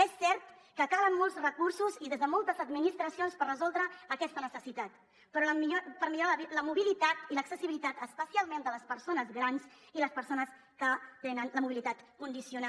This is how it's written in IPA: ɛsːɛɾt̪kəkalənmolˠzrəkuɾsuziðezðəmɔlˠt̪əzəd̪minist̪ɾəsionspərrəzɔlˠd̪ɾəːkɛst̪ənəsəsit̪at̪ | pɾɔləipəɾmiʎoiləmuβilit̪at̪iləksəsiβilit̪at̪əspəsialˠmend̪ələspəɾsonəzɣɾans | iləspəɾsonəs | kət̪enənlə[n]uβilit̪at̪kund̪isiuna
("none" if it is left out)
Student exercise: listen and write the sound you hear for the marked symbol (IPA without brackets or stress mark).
m